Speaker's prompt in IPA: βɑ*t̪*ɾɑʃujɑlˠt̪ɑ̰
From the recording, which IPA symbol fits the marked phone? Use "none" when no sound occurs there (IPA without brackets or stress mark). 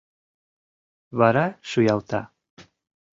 none